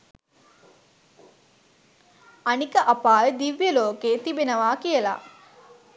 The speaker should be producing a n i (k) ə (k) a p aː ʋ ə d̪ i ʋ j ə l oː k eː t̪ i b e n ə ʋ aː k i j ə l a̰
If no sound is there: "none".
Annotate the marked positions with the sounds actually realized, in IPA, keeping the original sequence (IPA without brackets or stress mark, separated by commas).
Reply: k, ʔ